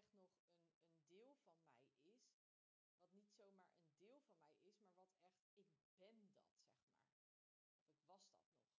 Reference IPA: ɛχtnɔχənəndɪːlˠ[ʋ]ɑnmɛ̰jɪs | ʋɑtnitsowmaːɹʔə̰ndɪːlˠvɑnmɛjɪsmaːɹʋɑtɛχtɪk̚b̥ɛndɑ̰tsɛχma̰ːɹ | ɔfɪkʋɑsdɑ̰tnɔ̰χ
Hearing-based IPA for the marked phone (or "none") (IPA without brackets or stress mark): v